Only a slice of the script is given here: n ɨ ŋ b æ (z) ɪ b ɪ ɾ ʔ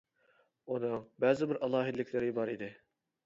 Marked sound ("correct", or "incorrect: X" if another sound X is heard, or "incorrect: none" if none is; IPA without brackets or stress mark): correct